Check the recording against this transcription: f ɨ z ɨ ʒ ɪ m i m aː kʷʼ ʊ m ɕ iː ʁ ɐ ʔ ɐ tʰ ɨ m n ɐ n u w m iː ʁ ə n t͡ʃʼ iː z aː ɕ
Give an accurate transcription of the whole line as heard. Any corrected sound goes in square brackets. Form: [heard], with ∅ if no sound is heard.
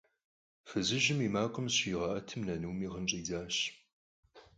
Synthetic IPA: f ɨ z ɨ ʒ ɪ m i m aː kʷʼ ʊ m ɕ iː ʁ ɐ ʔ ɐ tʰ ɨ m n ɐ n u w m iː ʁ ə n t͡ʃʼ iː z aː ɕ